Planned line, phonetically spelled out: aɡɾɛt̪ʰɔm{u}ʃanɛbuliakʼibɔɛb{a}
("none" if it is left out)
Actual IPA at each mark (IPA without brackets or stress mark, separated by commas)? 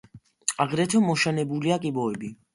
ɔ, i